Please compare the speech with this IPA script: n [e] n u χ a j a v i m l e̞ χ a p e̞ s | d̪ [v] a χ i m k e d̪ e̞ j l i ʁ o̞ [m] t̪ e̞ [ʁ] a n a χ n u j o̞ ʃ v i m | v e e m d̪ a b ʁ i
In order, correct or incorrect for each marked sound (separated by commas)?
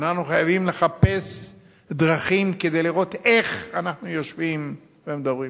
incorrect, incorrect, incorrect, incorrect